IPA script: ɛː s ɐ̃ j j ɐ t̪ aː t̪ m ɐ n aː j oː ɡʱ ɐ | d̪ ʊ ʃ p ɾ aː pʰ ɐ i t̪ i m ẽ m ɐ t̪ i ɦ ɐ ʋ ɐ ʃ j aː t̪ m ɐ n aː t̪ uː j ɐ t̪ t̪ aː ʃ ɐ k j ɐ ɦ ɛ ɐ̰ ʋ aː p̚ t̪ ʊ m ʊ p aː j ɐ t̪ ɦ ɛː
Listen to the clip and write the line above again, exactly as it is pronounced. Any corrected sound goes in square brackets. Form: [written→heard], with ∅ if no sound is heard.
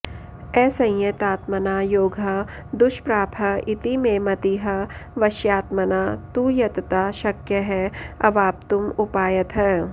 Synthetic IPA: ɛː s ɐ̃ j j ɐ t̪ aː t̪ m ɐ n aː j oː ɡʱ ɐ | d̪ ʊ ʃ p ɾ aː pʰ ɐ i t̪ i m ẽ m ɐ t̪ i ɦ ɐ ʋ ɐ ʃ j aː t̪ m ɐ n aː t̪ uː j ɐ t̪ t̪ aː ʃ ɐ k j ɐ ɦ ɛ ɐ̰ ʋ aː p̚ t̪ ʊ m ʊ p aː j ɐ t̪ ɦ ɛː